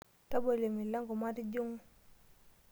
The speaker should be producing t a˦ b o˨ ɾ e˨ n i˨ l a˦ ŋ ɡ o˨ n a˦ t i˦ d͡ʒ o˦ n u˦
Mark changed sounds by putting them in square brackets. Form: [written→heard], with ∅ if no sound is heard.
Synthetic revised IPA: t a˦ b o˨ [ɾ→l] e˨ [n→m] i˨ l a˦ ŋ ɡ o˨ [n→m] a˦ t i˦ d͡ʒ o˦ [n→ŋ] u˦

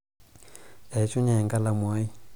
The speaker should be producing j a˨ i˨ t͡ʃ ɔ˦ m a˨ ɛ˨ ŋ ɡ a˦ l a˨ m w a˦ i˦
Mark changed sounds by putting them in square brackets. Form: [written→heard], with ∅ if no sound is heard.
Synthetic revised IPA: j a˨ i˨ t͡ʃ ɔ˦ [m→ɲ] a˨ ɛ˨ ŋ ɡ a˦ l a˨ m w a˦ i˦

